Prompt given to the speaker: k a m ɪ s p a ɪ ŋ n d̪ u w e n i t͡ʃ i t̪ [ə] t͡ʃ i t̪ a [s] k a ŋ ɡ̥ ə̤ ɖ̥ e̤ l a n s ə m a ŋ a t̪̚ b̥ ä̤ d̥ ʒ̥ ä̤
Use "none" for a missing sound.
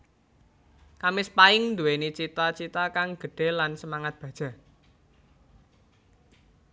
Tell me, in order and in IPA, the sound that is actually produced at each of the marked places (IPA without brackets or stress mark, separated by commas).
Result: a, none